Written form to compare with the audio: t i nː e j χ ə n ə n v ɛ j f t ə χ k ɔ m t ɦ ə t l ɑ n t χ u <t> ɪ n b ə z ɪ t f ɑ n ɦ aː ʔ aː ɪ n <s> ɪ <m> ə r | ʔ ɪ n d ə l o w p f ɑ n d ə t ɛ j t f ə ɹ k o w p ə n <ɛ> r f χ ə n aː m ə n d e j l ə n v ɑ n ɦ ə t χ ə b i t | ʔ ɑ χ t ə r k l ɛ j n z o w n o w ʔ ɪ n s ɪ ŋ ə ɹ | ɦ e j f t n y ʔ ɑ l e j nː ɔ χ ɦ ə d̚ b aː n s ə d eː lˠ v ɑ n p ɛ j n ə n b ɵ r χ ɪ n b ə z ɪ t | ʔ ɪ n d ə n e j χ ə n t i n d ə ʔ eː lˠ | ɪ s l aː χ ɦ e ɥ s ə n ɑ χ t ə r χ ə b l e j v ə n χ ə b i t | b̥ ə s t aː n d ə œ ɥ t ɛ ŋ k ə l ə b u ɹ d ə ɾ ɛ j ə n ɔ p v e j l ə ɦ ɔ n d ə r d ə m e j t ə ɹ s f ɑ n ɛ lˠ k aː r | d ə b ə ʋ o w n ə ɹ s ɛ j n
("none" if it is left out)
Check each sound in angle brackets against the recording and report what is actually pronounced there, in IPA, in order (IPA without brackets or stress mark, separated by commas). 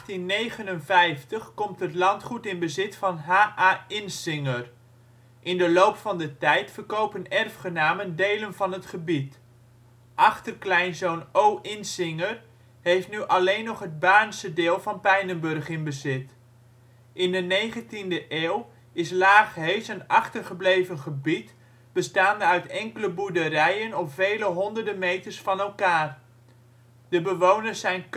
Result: t, s, ŋ, ɛ